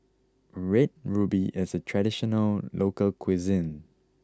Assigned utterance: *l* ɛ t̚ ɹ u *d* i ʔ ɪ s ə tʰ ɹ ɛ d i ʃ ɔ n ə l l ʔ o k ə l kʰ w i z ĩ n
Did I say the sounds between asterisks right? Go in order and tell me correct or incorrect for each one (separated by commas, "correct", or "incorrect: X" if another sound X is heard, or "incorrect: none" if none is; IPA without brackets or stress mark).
incorrect: ɹ, incorrect: b